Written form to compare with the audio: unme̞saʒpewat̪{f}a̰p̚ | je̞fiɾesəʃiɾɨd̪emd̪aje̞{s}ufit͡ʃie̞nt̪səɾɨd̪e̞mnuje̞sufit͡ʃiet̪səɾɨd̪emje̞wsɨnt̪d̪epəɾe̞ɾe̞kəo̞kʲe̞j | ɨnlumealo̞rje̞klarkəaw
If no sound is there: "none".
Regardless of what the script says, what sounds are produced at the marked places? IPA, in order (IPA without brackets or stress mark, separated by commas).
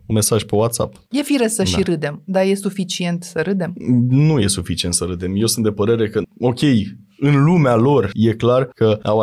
s, s